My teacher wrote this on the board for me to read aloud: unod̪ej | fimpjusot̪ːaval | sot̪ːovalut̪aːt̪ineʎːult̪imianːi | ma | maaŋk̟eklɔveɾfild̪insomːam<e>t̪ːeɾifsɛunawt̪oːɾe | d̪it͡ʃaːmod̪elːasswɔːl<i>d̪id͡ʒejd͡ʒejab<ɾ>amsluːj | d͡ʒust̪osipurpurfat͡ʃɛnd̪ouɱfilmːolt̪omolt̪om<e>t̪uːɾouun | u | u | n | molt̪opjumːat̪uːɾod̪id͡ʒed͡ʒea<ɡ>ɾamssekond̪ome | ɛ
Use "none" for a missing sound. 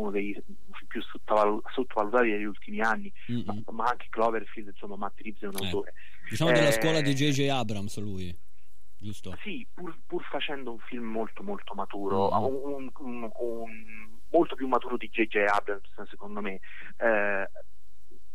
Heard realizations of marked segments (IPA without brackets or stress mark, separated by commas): a, a, ɾ, a, b